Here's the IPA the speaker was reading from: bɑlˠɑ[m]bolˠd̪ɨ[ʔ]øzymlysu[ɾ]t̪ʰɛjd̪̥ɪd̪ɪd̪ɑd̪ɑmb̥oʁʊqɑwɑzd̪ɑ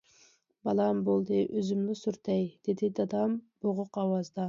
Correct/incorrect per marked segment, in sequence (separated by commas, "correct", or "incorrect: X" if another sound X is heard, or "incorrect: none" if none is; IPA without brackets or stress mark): correct, correct, correct